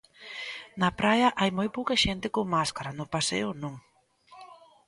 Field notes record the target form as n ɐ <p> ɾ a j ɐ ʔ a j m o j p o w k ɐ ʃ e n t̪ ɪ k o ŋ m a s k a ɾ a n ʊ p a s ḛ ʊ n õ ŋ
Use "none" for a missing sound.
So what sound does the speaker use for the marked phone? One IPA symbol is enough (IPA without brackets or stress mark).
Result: p